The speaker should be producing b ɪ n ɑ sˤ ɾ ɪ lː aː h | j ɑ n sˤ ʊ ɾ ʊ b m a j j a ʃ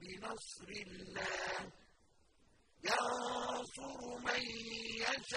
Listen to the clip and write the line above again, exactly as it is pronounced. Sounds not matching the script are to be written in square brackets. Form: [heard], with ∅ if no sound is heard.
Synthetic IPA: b ɪ n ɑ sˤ ɾ ɪ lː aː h | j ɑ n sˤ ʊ ɾ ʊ [∅] m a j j a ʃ